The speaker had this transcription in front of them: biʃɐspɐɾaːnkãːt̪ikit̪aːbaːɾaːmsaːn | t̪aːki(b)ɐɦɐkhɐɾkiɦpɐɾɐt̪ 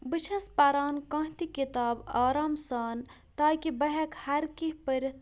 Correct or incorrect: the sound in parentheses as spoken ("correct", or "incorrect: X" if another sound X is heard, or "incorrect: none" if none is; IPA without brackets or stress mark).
correct